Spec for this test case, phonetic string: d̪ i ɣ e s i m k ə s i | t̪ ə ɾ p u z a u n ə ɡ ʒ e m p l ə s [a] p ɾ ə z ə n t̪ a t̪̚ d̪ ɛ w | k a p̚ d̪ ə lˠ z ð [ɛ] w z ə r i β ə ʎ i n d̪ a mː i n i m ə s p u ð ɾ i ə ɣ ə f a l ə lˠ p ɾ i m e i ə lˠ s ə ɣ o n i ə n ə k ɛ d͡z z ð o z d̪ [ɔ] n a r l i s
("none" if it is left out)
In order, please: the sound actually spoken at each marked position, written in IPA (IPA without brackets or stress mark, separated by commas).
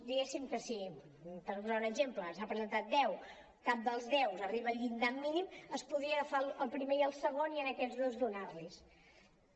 a, ɛ, u